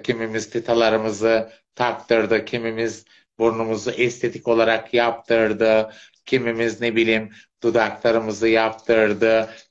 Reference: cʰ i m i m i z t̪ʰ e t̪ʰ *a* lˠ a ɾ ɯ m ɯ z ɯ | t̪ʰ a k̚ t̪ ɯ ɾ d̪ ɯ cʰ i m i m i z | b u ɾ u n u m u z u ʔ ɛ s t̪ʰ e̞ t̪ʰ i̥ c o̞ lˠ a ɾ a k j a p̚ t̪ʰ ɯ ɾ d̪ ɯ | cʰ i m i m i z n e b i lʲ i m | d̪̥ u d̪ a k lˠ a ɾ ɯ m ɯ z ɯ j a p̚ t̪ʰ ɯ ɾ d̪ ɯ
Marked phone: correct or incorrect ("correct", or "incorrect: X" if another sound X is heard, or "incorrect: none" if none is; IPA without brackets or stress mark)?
correct